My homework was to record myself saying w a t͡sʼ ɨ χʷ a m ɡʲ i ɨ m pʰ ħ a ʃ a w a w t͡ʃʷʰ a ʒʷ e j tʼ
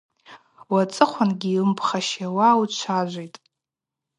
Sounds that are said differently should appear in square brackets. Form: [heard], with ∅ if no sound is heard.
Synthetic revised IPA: w a t͡sʼ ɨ χʷ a [n] ɡʲ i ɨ m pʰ [χ] a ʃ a w a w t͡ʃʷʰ a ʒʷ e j tʼ